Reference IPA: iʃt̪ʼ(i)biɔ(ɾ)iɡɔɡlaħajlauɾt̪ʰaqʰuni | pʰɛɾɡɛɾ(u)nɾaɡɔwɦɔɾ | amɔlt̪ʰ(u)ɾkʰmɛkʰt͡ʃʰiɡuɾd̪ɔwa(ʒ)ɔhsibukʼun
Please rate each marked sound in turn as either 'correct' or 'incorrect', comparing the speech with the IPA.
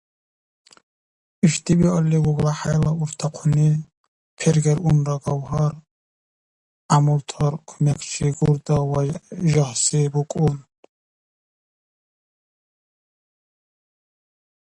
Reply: correct, incorrect: l, correct, incorrect: ɔ, correct

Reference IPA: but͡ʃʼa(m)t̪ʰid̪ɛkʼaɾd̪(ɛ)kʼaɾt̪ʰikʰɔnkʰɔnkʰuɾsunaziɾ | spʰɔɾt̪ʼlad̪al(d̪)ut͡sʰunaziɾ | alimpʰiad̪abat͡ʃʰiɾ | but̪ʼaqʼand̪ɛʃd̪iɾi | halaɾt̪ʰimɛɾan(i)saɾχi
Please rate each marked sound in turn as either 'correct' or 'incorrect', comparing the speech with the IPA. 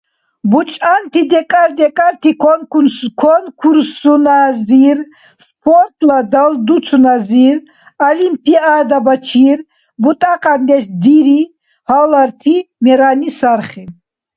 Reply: incorrect: n, correct, correct, correct

